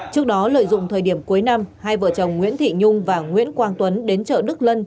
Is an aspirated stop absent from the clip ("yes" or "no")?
no